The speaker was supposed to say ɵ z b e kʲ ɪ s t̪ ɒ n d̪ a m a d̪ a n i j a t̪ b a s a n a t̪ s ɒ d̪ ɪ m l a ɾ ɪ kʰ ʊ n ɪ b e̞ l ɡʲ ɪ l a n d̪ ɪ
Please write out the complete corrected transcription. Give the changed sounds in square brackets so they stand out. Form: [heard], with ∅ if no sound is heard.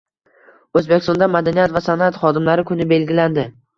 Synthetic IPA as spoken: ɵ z b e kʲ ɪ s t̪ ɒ n d̪ a m a d̪ a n i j a t̪ [v] a s a n a t̪ [χ] ɒ d̪ ɪ m l a ɾ ɪ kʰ ʊ n ɪ b e̞ l ɡʲ ɪ l a n d̪ ɪ